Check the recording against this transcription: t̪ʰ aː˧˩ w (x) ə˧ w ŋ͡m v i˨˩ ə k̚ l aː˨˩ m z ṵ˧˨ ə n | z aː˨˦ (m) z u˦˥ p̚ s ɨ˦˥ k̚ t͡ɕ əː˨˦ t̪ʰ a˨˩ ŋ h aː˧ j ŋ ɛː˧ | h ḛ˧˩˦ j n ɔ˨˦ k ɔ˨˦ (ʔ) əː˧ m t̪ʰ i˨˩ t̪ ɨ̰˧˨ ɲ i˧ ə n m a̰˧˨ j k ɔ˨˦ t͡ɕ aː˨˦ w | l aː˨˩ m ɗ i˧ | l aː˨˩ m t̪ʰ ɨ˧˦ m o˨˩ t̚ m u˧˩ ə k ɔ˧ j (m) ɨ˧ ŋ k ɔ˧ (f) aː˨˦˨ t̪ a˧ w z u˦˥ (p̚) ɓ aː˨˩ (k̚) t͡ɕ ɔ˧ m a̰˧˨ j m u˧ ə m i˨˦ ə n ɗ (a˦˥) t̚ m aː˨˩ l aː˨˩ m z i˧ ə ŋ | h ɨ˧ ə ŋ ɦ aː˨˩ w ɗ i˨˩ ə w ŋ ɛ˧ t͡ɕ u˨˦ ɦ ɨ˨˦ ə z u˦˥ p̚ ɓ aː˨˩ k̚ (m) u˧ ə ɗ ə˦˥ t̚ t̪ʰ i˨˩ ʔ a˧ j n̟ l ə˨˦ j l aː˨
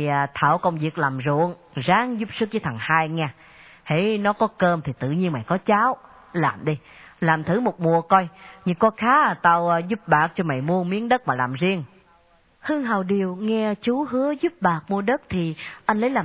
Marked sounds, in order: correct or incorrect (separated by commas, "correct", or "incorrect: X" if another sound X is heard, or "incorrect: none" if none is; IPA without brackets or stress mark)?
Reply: incorrect: k, incorrect: ŋ, incorrect: k, incorrect: ɲ, incorrect: x, correct, correct, incorrect: ə˦˥, correct